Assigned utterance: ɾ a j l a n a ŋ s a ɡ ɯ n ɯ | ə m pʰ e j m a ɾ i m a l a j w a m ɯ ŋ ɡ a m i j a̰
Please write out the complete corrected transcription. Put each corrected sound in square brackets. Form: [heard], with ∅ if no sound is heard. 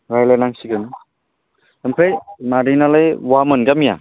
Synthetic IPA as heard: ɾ a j l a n a ŋ s [i] ɡ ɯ n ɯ | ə m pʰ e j m a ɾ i [n] a l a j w a m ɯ [n] ɡ a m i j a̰

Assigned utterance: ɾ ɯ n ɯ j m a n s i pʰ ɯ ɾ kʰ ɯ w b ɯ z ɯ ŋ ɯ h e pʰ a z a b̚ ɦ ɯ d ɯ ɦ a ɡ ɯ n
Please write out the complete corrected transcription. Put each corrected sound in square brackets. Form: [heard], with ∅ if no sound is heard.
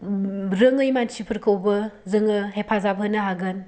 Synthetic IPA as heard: ɾ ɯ [ŋ] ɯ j m a n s i pʰ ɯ ɾ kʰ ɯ w b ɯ z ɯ ŋ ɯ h e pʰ a z a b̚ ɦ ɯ [n] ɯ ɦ a ɡ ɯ n

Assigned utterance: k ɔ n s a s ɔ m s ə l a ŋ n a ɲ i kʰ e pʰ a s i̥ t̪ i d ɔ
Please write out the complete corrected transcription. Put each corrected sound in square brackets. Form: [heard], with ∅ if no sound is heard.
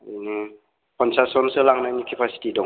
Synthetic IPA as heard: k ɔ n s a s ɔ [n] s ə l a ŋ n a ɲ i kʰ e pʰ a s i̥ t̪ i d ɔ

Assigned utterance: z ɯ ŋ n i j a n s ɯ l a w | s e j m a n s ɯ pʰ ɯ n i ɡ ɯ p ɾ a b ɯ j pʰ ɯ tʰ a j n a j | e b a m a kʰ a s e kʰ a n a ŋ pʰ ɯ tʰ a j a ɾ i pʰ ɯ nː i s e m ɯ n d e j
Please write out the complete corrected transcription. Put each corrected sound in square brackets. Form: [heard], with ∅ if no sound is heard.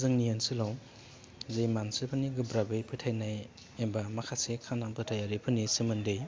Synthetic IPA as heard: z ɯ ŋ n i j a n s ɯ l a w | [z] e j m a n s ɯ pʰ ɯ n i ɡ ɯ [b] ɾ a b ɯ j pʰ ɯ tʰ a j n a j | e b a m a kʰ a s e kʰ a n a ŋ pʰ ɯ tʰ a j a ɾ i pʰ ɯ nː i s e m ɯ n d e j

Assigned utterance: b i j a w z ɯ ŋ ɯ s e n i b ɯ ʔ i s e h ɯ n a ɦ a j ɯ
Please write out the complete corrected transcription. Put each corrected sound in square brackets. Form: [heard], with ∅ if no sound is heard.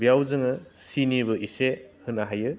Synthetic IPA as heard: b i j a w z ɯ ŋ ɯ s [i] n i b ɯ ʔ i s e h ɯ n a ɦ a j ɯ

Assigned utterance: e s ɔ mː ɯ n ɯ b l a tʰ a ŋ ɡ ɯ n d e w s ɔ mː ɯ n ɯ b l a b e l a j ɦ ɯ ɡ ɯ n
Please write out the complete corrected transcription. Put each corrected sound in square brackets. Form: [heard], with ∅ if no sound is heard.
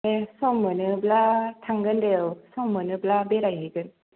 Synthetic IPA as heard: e s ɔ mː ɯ n ɯ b l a tʰ a ŋ ɡ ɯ n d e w s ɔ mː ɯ n ɯ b l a b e [ɾ] a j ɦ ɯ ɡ ɯ n

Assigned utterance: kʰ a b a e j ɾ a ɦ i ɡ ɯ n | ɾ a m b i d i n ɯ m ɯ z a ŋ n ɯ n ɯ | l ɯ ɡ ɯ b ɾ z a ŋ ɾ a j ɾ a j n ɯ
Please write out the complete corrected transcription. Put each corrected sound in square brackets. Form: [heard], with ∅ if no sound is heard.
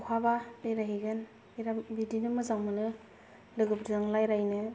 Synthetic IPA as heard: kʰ a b a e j ɾ a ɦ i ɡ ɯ n | ɾ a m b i d i n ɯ m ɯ z a ŋ [m] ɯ n ɯ | l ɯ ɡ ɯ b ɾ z a ŋ [l] a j ɾ a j n ɯ

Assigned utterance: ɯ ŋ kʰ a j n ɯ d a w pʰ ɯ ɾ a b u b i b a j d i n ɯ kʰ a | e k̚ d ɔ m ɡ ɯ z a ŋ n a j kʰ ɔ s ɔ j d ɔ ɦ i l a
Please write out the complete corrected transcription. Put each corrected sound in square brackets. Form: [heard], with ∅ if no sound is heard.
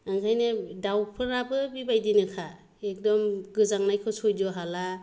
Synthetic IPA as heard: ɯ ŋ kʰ a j n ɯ d a w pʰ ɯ ɾ a b [ɯ] b i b a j d i n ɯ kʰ a | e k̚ d ɔ m ɡ ɯ z a ŋ n a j kʰ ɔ s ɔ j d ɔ ɦ [a] l a

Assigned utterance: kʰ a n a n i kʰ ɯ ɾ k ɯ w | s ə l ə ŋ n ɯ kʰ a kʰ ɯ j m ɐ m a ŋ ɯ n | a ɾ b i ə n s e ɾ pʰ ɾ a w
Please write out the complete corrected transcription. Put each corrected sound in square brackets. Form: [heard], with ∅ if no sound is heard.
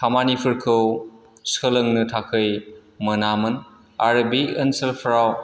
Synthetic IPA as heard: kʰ a [m] a n i [pʰ] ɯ ɾ [kʰ] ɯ w | s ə l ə ŋ n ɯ [tʰ] a kʰ ɯ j m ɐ [n] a [m] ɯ n | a ɾ b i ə n s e [l] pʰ ɾ a w

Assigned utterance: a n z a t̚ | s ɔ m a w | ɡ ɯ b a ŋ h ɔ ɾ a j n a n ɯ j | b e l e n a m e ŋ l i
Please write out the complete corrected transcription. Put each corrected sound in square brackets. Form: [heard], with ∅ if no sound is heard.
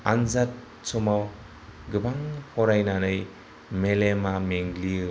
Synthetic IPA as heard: a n z a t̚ | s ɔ m a w | ɡ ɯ b a ŋ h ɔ ɾ a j n a n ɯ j | [m] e l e [m] a m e ŋ l i

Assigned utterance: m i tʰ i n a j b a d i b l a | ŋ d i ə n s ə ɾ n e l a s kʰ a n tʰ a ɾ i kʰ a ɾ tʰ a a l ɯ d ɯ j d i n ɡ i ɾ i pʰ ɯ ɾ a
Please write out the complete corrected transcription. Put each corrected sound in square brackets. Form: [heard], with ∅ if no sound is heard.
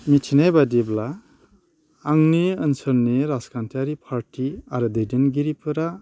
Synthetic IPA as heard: m i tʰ i n a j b a d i b l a | ŋ [n] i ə n s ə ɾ n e [ɾ] a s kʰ a n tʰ a ɾ i [pʰ] a ɾ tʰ [i] a [ɾ] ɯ d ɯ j d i n ɡ i ɾ i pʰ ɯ ɾ a

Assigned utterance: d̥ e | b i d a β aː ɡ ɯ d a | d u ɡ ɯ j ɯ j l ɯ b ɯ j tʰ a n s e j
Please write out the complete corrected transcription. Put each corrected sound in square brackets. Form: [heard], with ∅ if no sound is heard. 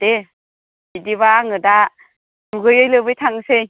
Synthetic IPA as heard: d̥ e | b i d [i] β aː [ŋ] ɯ d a | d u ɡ ɯ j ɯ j l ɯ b ɯ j tʰ a [ŋ] s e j

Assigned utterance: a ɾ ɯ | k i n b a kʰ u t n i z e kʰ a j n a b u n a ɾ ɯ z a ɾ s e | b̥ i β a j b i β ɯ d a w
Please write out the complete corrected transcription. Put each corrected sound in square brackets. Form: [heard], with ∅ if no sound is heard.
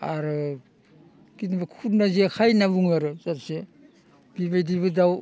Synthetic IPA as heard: a ɾ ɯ | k i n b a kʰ u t n [a] z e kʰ a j n a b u [ŋ] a ɾ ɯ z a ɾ s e | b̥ i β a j [d] i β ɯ d a w

